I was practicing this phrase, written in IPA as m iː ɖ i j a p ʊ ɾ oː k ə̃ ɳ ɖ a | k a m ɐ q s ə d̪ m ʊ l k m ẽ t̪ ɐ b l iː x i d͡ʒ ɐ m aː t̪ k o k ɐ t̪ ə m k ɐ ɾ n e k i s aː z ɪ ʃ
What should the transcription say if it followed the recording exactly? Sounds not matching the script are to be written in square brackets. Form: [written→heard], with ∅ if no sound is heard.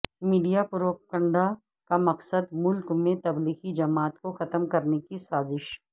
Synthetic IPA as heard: m iː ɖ i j a p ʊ ɾ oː k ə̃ ɳ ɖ a | k a m ɐ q s ə d̪ m ʊ l k m ẽ t̪ ɐ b l iː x i d͡ʒ ɐ m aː t̪ k o [k→x] ɐ t̪ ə m k ɐ ɾ n e k i s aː z ɪ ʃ